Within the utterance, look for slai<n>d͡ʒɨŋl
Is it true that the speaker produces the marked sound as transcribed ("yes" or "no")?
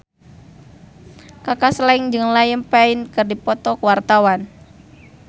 no